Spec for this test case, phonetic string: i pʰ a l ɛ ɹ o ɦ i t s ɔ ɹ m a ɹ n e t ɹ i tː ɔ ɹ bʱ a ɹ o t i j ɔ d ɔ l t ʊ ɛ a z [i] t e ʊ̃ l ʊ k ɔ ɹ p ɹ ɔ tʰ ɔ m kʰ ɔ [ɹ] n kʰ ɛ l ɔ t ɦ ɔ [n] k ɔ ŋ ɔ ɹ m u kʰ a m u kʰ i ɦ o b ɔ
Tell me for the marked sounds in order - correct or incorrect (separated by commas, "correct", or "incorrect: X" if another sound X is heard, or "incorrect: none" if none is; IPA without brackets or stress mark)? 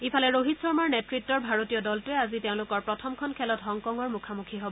correct, incorrect: none, incorrect: ŋ